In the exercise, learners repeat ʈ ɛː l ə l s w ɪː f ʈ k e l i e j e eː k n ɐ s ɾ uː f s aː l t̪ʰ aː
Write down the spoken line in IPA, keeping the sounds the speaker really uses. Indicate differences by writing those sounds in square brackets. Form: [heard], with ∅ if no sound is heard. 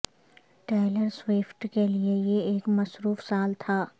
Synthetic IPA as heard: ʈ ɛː l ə [ɾ] s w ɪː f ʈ k e l i e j e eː k [m] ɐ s ɾ uː f s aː l t̪ʰ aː